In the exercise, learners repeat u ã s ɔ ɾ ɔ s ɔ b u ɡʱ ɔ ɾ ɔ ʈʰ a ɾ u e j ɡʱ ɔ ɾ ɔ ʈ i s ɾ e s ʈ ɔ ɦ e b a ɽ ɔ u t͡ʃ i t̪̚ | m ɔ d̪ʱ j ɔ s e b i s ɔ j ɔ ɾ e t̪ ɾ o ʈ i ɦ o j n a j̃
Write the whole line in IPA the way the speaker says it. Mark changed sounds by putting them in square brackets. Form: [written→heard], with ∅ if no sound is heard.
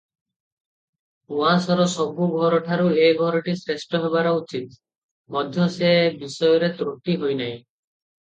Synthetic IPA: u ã s ɔ ɾ ɔ s ɔ b u ɡʱ ɔ ɾ ɔ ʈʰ a ɾ u e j ɡʱ ɔ ɾ ɔ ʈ i s ɾ e s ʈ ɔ ɦ e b a [ɽ→ɾ] ɔ u t͡ʃ i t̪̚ | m ɔ d̪ʱ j ɔ s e b i s ɔ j ɔ ɾ e t̪ ɾ o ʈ i ɦ o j n a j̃